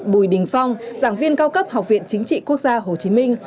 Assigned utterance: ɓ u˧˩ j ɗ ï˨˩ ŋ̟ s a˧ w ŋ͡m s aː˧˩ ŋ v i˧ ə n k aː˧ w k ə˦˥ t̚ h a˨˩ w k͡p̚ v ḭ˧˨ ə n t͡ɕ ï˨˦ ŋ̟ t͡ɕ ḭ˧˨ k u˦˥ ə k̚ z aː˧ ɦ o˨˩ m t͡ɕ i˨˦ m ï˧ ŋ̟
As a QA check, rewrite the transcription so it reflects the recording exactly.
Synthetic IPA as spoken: ɓ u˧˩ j ɗ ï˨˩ ŋ̟ f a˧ w ŋ͡m z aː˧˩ ŋ v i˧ ə n k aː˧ w k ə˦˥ p̚ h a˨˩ w k͡p̚ v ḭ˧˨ ə n t͡ɕ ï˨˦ ŋ̟ t͡ɕ ḭ˧˨ k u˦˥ ə k̚ z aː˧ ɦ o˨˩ t͡ɕ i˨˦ m ï˧ ŋ̟